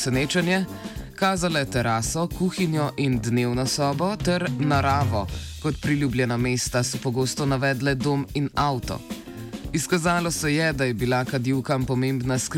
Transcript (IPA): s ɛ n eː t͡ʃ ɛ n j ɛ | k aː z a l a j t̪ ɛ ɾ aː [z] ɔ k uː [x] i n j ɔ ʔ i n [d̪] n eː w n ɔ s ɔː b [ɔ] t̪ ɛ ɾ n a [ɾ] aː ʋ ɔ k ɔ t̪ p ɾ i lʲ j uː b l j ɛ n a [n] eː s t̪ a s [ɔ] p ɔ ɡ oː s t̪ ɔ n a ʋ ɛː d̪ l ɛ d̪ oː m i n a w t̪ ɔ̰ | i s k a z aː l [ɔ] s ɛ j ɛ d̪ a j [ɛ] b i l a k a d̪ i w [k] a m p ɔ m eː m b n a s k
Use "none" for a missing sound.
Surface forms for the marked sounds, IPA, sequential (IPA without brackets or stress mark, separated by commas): s, x, d̪, ɔ, ɾ, m, ɔ, ɔ, ɛ, k